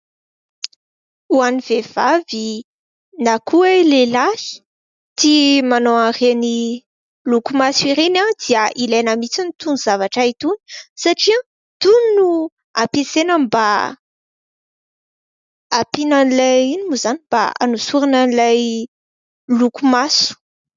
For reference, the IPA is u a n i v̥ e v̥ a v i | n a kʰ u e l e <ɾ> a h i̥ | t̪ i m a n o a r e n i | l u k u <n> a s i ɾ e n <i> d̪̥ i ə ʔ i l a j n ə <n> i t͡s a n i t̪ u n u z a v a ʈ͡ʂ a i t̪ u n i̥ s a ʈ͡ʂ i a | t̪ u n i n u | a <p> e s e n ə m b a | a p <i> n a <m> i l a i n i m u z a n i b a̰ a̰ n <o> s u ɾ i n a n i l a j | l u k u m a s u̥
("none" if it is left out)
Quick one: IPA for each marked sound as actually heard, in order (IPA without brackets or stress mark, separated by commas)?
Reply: l, m, a, m, p, i, n, u